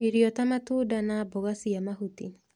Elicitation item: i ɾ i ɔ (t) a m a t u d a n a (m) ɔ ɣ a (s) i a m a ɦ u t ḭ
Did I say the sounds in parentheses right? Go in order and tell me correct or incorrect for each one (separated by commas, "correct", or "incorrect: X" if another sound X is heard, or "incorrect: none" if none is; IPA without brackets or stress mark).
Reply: correct, incorrect: b, correct